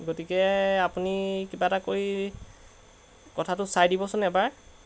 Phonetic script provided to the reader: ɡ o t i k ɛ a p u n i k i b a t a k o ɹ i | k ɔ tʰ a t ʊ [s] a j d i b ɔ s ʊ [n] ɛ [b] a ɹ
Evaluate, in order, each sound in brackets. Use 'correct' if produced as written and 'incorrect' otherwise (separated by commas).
correct, correct, correct